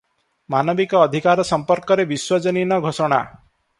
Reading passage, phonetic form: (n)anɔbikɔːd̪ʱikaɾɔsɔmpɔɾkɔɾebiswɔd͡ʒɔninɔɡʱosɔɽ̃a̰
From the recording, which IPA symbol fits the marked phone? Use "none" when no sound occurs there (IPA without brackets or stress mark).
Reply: m